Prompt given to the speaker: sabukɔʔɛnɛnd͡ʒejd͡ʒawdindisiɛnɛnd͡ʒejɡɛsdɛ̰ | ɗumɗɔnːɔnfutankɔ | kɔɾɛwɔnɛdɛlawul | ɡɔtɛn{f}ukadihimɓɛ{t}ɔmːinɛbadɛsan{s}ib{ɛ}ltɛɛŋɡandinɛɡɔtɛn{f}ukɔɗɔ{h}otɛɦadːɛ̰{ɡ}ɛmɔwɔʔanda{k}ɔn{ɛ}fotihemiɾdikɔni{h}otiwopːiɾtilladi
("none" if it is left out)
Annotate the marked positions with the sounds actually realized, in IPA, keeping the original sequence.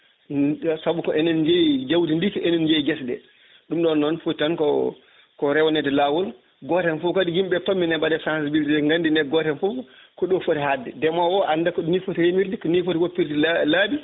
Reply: f, t, s, i, f, f, d, k, i, f

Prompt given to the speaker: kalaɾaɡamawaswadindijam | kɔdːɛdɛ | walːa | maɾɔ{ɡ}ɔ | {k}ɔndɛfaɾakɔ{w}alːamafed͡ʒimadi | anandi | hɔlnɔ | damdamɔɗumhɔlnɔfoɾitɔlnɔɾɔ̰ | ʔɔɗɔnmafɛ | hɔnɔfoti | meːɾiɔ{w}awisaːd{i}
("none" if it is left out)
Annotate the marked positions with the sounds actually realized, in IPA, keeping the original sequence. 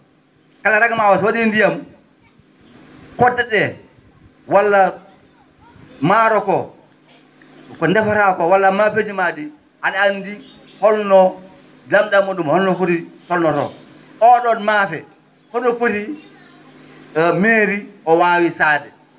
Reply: k, k, w, w, ɛ

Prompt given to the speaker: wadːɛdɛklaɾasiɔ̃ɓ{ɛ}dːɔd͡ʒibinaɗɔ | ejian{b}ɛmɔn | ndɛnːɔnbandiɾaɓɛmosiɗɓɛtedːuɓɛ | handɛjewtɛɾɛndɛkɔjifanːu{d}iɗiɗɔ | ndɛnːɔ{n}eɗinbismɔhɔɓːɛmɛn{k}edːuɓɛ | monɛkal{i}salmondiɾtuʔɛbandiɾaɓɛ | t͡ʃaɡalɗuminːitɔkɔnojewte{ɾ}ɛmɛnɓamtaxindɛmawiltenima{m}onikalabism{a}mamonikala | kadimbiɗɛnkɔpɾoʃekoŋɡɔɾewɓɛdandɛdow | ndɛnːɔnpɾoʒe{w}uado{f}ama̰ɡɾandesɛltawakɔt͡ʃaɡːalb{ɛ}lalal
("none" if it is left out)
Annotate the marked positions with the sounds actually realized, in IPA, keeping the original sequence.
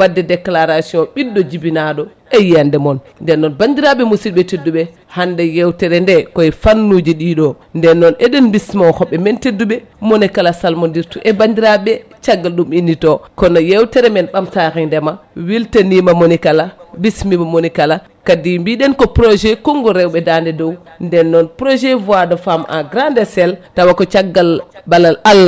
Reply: i, d, d͡ʒ, n, t, a, ɾ, m, i, v, f, a

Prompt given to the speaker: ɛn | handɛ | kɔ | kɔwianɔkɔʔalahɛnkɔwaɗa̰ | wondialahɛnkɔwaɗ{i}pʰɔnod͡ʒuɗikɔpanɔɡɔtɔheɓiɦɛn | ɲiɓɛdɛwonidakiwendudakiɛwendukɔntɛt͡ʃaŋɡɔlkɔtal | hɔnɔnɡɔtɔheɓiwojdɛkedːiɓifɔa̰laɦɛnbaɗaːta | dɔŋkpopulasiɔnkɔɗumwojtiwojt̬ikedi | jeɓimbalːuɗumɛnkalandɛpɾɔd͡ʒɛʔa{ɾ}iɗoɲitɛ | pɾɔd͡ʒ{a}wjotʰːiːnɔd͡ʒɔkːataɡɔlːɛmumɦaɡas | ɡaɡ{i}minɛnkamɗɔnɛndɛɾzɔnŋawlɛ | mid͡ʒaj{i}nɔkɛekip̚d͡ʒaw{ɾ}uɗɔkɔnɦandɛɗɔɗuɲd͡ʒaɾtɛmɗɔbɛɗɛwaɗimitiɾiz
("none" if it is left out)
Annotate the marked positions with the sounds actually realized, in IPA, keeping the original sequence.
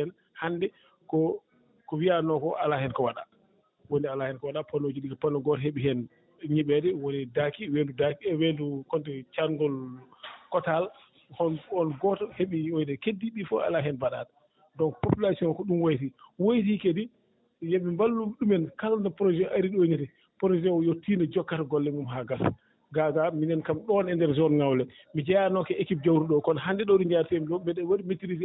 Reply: a, ɾ, ɛ, a, a, ɾ

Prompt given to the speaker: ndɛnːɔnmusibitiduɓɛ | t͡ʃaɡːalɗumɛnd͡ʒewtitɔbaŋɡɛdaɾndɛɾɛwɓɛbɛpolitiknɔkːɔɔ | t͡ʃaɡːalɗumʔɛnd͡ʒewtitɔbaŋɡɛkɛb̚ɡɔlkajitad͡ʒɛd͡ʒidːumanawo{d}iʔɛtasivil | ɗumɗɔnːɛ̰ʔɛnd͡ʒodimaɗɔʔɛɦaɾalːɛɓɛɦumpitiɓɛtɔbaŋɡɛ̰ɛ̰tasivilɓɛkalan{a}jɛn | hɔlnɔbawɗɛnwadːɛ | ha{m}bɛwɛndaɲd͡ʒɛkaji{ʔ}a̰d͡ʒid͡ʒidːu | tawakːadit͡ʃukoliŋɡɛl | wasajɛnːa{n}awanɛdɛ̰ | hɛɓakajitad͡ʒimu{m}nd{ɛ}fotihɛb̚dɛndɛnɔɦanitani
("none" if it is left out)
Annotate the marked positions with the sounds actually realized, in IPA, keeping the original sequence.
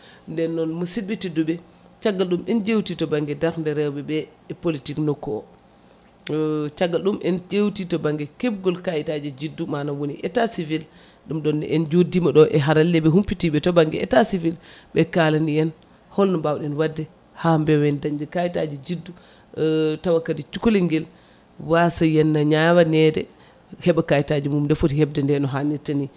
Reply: n, i, m, t, ɲ, m, ɛ

